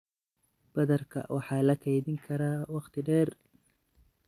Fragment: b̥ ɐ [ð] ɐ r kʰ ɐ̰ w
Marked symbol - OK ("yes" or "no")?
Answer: yes